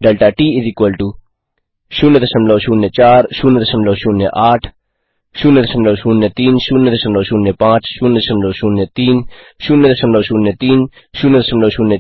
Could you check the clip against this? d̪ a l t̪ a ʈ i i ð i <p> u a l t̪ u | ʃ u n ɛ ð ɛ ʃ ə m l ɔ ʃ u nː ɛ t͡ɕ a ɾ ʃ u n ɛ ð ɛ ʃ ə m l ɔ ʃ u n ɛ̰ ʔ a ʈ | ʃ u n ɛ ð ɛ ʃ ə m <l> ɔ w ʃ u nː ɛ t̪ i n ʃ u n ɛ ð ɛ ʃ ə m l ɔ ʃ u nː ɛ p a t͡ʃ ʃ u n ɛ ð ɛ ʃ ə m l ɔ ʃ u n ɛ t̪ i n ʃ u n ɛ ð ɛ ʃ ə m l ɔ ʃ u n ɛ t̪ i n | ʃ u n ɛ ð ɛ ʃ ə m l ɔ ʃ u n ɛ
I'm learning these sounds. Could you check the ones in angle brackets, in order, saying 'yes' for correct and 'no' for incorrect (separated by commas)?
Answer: no, yes